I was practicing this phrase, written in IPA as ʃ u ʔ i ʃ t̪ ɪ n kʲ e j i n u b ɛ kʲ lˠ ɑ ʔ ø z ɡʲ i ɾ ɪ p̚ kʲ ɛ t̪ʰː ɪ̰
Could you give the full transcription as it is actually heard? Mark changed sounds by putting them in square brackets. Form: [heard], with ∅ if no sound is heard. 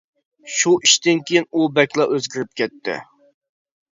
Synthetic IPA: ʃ u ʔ i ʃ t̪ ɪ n kʲ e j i n u b ɛ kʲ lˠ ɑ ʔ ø z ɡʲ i ɾ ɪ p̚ kʲ ɛ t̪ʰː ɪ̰